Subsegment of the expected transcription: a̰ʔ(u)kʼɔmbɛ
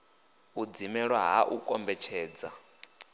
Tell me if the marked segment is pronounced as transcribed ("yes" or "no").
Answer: yes